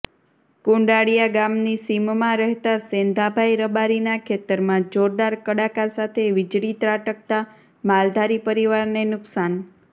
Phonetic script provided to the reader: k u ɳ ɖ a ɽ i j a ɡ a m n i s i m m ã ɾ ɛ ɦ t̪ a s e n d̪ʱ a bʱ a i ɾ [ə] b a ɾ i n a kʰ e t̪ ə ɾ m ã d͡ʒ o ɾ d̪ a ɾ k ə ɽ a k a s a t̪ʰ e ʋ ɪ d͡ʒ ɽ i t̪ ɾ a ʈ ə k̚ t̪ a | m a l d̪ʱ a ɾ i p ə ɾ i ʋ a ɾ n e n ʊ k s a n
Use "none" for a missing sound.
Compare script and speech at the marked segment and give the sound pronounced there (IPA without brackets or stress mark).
ə